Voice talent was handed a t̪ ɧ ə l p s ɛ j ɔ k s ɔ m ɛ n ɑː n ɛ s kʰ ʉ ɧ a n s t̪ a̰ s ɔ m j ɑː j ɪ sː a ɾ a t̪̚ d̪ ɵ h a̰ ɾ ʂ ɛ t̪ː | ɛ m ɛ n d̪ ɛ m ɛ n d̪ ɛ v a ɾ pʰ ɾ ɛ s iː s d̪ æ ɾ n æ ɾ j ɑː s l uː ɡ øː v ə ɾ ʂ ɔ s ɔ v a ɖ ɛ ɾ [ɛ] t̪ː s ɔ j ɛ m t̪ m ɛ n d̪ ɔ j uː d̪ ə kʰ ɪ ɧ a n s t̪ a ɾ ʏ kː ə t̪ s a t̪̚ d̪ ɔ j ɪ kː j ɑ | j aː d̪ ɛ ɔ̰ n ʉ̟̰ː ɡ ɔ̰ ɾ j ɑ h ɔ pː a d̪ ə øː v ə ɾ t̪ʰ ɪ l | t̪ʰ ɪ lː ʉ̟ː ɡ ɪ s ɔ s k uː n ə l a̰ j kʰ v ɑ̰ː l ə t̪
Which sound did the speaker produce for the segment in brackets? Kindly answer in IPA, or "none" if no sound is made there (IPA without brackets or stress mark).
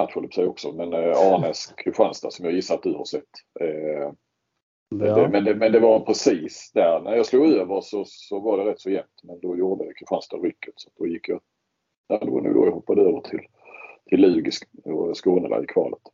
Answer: ɛ